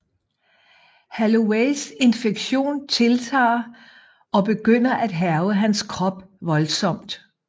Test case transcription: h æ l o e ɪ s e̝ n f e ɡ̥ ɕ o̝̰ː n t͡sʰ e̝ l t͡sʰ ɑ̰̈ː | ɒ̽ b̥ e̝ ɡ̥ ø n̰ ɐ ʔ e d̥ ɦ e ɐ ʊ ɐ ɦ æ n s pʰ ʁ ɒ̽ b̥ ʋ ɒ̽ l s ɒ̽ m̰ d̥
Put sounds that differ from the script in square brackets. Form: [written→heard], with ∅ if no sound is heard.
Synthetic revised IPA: h æ l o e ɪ s e̝ n f e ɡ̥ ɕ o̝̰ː n t͡sʰ e̝ l t͡sʰ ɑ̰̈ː | ɒ̽ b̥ e̝ ɡ̥ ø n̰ ɐ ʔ [e→æ] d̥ ɦ [e→æ] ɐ ʊ [ɐ→ə] ɦ æ n s [pʰ→kʰ] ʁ ɒ̽ b̥ ʋ ɒ̽ l s ɒ̽ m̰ d̥